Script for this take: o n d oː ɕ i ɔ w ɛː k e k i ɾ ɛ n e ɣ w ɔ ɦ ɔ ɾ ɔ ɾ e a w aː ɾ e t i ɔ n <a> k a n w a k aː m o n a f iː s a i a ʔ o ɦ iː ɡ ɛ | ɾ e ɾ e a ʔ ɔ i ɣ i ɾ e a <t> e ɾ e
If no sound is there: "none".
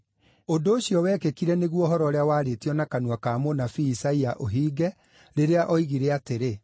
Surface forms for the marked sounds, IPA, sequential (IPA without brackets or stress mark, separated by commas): a, t